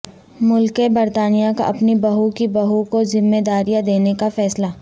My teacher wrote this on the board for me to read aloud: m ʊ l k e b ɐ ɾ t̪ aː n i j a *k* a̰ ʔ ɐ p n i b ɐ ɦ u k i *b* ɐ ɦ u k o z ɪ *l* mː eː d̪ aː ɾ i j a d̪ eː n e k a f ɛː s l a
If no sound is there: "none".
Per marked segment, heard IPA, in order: k, b, none

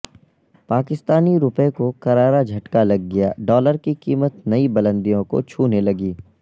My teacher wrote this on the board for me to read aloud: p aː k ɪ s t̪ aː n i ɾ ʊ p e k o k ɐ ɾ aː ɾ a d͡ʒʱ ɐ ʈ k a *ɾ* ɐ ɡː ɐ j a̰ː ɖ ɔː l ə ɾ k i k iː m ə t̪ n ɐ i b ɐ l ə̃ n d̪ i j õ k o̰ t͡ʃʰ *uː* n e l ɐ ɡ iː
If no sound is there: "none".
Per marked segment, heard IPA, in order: l, uː

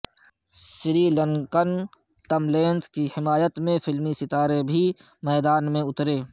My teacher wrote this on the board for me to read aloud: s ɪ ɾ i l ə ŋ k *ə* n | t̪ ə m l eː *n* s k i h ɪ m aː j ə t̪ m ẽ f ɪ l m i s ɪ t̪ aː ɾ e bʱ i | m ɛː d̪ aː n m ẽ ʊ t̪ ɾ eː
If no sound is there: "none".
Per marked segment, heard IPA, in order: ə, n

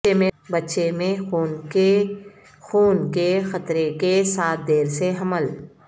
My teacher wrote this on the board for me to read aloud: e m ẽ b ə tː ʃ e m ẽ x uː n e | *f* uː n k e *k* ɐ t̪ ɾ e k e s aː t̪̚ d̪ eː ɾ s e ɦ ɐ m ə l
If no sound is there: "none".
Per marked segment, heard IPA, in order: x, x

